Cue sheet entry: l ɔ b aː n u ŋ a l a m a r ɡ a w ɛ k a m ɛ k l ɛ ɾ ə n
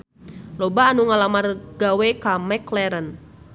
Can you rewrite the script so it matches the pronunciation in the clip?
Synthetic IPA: l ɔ b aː n u ŋ a l a m a r ɡ a w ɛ k a m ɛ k l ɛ ɾ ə n